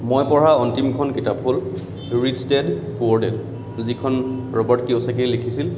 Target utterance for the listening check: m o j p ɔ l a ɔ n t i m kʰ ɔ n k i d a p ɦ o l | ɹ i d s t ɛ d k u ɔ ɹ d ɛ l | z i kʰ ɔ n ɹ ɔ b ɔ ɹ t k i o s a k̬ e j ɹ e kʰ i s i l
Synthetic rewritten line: m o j p ɔ ɹ a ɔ n t i m kʰ ɔ n k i t a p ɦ o l | ɹ i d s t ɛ d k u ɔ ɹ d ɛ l | z i kʰ ɔ n ɹ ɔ b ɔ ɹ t k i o s a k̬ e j l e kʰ i s i l